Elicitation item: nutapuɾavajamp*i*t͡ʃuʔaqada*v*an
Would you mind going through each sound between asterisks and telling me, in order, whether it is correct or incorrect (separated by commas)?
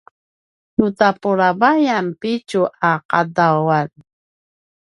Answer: correct, incorrect